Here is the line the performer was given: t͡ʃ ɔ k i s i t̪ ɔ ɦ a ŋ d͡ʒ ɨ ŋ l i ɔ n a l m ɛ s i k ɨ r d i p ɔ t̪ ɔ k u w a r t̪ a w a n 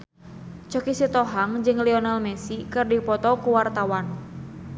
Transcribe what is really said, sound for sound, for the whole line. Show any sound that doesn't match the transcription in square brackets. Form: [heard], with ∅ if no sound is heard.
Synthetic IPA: t͡ʃ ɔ k i s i t̪ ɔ ɦ a ŋ d͡ʒ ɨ ŋ l i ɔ n a l m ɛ s i k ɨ r d i p ɔ t̪ ɔ k u w a r t̪ a w a n

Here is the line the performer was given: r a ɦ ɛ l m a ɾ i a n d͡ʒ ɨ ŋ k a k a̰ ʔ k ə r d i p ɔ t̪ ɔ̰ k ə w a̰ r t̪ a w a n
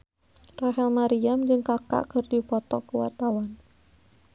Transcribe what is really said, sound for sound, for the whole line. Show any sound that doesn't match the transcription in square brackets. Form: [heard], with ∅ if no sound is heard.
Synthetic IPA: r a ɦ ɛ l m a ɾ i a [m] d͡ʒ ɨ ŋ k a k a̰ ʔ k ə r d i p ɔ t̪ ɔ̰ k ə w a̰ r t̪ a w a n

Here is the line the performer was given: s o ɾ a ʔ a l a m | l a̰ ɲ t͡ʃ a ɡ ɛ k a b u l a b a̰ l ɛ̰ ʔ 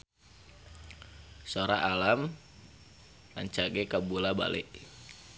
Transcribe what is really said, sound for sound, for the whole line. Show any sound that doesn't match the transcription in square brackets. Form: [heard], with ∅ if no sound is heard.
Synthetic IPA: s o ɾ a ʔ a l a m | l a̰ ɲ t͡ʃ a ɡ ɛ k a b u l a b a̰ l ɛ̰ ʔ

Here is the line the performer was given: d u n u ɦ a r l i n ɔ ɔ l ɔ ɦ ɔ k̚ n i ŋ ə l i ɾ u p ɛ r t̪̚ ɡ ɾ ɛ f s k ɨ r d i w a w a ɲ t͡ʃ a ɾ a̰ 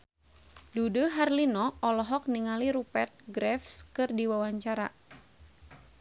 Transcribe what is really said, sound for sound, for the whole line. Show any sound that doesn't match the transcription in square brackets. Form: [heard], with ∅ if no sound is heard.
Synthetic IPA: d u [d] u ɦ a r l i n ɔ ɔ l ɔ ɦ ɔ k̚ n i ŋ [a] l i ɾ u p ɛ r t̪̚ ɡ ɾ ɛ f s k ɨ r d i w a w a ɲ t͡ʃ a ɾ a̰

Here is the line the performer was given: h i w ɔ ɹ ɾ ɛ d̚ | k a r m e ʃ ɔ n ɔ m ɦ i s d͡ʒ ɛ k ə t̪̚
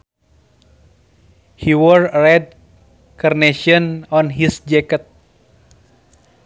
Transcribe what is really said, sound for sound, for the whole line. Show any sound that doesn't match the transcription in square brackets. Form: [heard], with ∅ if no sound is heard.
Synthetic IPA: h i w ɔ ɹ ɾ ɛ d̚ | k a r [n] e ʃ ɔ n ɔ [n] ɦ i s d͡ʒ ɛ k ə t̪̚

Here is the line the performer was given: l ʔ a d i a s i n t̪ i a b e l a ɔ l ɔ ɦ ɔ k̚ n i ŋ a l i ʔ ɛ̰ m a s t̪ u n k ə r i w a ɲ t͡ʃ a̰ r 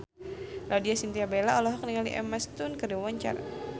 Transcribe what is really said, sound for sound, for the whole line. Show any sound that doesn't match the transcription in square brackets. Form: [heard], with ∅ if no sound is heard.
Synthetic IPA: l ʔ a d i a s i n t̪ i a b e l a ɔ l ɔ ɦ ɔ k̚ n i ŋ a l i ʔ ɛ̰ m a s t̪ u n k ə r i w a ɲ t͡ʃ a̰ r

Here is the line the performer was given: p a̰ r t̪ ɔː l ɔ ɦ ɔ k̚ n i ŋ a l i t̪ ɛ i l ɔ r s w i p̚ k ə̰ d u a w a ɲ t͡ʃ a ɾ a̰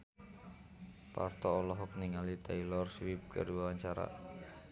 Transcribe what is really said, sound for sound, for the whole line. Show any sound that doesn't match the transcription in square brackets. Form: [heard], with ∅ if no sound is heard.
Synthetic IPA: p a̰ r t̪ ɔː l ɔ ɦ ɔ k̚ n i ŋ a l i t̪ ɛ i l ɔ r s w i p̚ k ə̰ d u a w a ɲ t͡ʃ a ɾ a̰

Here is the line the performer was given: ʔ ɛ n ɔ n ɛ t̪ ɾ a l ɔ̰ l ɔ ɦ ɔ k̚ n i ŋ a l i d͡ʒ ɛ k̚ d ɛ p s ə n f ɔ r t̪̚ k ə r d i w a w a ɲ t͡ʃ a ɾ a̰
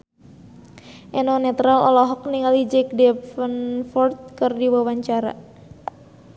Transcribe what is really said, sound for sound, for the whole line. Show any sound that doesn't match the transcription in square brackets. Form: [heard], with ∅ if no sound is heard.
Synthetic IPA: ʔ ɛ n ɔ n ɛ t̪ ɾ a l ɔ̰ l ɔ ɦ ɔ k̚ n i ŋ a l i d͡ʒ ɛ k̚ d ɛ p [f] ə n f ɔ r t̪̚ k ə r d i w a w a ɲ t͡ʃ a ɾ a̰

